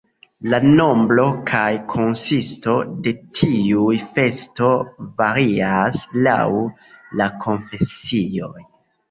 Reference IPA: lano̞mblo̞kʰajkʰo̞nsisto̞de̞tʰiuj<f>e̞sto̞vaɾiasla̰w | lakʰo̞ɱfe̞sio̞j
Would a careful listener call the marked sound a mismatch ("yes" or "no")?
no